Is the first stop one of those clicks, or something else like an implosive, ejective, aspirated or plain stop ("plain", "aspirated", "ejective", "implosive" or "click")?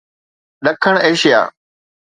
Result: implosive